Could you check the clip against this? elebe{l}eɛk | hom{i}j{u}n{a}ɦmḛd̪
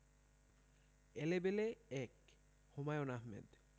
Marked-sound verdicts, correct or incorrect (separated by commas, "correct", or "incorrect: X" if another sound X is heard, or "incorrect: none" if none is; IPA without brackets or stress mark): correct, incorrect: a, incorrect: o, correct